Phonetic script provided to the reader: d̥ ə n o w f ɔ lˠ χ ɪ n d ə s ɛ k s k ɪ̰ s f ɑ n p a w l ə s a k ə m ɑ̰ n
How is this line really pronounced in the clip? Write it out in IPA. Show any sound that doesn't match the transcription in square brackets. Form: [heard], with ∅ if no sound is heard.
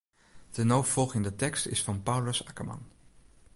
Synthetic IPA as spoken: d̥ ə n o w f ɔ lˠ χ ɪ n d ə [t] ɛ k s [t] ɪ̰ s f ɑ n p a w l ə s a k ə m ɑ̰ n